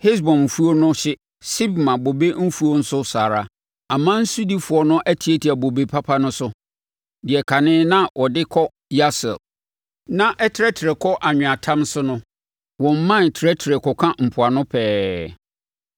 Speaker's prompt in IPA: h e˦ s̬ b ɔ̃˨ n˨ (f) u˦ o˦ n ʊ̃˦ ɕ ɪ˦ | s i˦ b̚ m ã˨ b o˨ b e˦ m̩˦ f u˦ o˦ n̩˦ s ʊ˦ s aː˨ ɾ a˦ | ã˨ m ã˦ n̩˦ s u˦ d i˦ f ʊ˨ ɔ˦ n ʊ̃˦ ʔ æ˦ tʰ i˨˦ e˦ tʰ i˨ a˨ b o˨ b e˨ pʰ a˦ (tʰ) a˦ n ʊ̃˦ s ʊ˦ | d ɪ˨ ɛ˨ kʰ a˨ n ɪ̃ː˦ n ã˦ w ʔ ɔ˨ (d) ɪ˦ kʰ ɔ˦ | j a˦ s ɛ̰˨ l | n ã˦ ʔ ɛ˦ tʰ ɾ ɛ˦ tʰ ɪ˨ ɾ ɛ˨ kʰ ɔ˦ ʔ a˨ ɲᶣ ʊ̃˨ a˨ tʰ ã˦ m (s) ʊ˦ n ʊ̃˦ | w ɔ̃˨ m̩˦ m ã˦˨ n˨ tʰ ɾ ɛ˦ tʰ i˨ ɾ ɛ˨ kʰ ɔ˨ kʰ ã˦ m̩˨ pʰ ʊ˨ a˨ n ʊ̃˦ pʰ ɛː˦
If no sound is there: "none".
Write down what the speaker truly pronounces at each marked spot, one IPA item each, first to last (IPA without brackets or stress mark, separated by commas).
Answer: f, pʰ, d, s